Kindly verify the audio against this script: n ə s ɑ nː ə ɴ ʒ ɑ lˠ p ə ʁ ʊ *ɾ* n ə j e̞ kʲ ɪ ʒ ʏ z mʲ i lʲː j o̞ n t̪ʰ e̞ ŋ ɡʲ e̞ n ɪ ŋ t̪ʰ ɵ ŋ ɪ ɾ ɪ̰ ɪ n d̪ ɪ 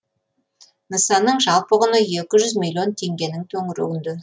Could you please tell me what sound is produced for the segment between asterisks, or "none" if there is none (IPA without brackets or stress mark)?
none